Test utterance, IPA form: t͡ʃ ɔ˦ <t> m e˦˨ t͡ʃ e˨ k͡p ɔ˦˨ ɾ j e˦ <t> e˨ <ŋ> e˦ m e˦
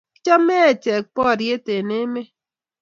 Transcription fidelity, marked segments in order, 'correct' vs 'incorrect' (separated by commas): incorrect, correct, incorrect